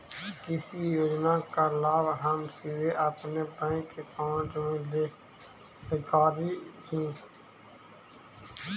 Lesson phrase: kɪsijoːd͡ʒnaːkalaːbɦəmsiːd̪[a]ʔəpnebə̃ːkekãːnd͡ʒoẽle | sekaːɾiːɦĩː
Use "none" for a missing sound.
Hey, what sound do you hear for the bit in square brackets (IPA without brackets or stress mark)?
e